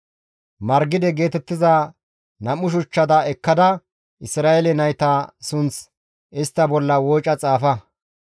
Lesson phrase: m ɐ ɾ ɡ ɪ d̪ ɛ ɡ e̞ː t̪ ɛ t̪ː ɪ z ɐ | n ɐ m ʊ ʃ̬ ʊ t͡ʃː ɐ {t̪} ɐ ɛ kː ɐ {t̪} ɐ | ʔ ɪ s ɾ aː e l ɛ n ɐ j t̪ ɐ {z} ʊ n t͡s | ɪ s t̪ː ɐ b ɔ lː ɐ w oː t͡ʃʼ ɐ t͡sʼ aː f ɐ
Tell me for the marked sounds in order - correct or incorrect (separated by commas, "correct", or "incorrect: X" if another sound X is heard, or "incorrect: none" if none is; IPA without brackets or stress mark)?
incorrect: d̪, incorrect: d̪, incorrect: s